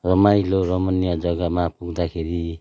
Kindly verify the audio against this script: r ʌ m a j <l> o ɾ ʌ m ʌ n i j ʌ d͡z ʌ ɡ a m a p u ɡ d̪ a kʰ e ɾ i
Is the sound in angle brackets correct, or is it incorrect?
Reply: correct